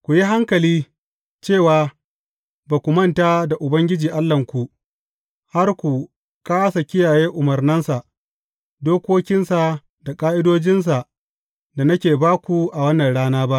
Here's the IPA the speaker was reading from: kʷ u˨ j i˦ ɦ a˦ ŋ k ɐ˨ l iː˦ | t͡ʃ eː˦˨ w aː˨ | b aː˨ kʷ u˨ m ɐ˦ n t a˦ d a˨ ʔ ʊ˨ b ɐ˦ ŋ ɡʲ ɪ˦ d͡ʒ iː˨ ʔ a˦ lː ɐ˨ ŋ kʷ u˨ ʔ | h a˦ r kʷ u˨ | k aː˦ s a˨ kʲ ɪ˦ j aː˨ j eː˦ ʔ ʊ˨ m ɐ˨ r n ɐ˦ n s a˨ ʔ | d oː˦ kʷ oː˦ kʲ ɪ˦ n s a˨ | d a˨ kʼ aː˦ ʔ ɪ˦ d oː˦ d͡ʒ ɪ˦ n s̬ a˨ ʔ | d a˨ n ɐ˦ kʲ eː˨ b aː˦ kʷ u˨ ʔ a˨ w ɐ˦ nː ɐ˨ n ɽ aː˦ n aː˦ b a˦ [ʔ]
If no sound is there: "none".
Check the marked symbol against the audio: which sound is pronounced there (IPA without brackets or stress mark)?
ʔ